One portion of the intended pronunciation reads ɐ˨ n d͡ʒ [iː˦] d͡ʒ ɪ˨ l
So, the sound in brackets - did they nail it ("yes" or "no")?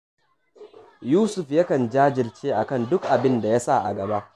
no